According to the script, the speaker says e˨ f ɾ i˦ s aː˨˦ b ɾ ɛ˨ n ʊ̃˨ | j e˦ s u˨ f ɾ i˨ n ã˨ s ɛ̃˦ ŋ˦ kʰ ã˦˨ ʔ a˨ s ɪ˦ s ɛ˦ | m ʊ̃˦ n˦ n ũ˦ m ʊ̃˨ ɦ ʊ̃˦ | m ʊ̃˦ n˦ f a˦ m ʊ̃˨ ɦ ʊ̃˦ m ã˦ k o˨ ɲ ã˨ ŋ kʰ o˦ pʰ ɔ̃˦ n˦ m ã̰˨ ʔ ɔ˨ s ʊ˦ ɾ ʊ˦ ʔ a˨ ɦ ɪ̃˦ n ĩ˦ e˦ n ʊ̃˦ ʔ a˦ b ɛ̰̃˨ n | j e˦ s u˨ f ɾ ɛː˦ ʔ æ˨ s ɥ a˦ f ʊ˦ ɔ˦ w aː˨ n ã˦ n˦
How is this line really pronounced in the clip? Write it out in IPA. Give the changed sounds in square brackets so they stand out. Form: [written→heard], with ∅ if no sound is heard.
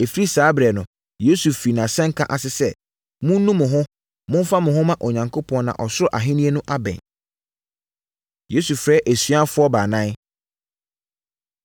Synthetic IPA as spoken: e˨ f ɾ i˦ s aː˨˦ b ɾ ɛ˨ n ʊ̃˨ | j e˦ s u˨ f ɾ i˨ n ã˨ s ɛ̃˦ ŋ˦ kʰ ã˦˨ ʔ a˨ s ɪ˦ s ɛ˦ | m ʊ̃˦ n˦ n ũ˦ m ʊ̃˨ ɦ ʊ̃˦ | m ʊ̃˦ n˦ f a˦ m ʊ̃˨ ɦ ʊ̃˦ m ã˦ [k→ʔ] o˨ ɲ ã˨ ŋ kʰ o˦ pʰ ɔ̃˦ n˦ [m→n] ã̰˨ ʔ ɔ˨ s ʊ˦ ɾ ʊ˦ ʔ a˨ ɦ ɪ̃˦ n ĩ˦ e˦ n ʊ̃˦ ʔ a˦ b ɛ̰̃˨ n | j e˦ s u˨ f ɾ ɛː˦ ʔ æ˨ s ɥ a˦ f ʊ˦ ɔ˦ [w→b] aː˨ n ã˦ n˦